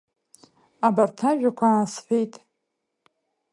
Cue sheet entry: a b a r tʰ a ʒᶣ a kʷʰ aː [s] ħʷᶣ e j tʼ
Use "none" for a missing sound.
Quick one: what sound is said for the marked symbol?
s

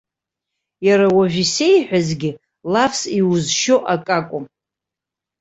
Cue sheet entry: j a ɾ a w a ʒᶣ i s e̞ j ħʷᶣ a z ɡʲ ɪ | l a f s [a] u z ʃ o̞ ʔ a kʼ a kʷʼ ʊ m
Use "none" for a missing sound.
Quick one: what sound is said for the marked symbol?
i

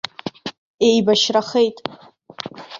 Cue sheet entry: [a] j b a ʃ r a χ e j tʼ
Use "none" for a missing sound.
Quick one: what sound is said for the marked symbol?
e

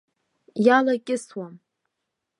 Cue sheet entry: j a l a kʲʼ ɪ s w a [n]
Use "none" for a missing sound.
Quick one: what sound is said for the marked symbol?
m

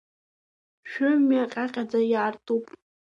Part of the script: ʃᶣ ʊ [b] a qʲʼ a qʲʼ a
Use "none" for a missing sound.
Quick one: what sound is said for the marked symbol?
m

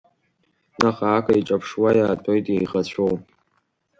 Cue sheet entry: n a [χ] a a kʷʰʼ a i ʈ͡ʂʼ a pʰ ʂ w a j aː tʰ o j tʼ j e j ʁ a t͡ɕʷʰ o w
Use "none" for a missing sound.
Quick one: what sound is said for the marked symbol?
χ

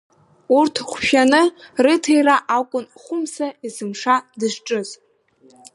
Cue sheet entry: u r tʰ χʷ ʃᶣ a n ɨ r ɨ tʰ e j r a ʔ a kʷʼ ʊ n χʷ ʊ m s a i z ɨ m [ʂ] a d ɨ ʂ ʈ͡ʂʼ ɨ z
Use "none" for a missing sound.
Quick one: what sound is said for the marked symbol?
ʂ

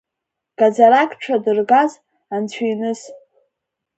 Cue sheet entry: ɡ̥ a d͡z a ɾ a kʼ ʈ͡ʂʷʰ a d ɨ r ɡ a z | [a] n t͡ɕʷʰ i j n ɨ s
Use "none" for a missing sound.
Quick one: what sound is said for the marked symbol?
a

